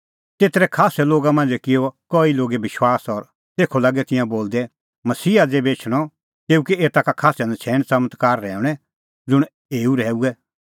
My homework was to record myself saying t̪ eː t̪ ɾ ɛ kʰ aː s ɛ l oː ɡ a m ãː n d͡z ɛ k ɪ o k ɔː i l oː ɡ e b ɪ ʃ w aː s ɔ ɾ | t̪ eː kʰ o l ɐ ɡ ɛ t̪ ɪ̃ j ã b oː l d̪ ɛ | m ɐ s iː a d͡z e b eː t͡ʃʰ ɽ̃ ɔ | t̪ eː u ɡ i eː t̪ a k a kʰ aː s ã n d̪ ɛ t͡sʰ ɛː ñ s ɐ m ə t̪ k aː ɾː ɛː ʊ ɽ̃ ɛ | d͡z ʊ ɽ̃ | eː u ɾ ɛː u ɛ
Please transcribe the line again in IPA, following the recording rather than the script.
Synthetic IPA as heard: t̪ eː t̪ ɾ ɛ kʰ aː s ɛ l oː ɡ a m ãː n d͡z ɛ k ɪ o k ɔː i l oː ɡ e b ɪ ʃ w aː s ɔ ɾ | t̪ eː kʰ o l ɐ ɡ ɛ t̪ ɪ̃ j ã b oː l d̪ ɛ | m ɐ s iː a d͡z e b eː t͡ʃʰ ɽ̃ ɔ | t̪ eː u k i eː t̪ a k a kʰ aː s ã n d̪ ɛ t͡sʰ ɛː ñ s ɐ m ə t̪ k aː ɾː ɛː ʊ ɽ̃ ɛ | d͡z ʊ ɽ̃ | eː u ɾ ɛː u ɛ